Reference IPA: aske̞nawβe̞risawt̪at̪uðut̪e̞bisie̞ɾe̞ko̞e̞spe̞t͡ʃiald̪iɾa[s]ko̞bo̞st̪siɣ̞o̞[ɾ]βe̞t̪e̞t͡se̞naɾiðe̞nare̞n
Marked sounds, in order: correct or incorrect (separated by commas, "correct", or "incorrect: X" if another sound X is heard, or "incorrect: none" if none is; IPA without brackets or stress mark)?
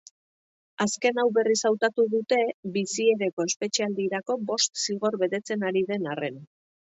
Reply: incorrect: none, correct